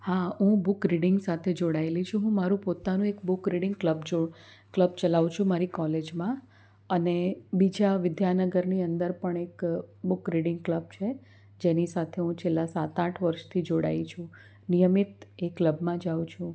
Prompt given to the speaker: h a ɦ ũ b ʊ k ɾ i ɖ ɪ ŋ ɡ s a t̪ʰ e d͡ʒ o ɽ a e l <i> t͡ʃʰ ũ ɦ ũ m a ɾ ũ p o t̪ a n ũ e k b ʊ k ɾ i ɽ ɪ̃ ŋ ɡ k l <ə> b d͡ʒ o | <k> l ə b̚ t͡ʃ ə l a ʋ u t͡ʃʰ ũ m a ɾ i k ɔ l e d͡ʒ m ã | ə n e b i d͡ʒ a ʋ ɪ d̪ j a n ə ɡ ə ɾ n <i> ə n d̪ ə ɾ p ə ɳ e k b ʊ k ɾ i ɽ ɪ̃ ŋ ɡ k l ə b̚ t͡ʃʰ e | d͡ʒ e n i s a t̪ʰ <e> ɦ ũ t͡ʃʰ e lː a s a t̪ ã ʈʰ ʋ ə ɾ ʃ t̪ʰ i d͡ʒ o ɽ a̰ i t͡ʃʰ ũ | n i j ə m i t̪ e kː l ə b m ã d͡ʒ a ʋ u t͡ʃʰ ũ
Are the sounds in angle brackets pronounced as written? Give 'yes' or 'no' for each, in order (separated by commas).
yes, yes, yes, yes, yes